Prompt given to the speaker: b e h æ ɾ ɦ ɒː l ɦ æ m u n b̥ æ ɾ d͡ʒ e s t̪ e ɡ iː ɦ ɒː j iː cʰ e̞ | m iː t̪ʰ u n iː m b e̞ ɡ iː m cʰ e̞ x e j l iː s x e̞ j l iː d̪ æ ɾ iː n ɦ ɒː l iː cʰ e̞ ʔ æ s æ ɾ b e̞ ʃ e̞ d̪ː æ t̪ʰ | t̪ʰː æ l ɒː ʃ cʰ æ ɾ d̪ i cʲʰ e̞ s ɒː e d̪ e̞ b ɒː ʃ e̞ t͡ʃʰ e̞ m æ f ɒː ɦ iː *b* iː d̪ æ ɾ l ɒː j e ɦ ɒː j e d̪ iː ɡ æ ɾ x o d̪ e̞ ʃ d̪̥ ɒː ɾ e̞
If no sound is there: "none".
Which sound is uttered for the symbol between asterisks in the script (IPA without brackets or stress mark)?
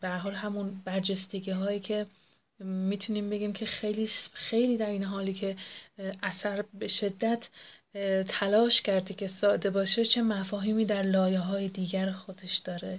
m